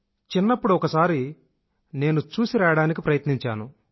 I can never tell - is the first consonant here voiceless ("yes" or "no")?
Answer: yes